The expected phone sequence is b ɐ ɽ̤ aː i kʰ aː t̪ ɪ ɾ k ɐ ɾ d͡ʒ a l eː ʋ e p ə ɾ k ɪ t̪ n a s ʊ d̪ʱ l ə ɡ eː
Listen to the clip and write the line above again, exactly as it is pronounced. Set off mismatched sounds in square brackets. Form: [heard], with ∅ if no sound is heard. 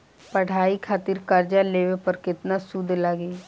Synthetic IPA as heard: [p] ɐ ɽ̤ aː i kʰ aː t̪ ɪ ɾ k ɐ ɾ d͡ʒ a l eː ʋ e p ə ɾ k ɪ t̪ n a s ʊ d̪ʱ l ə ɡ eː